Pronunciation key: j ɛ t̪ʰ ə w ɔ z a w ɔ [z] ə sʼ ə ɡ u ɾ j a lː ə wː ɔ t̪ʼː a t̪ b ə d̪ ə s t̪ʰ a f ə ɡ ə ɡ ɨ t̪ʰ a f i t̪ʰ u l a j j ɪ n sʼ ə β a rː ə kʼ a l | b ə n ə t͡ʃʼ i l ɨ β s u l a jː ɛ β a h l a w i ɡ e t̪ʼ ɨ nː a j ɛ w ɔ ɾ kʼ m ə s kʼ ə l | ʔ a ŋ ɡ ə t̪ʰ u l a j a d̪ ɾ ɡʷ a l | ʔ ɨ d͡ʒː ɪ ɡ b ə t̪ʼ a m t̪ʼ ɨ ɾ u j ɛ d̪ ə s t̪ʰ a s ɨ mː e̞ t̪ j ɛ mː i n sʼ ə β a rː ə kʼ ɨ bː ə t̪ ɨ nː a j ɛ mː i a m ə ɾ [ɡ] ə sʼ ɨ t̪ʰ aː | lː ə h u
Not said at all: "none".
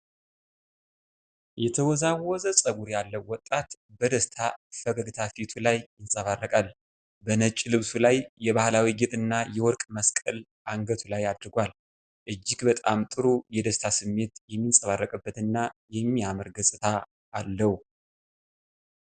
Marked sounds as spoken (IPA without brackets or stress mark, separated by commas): z, ɡ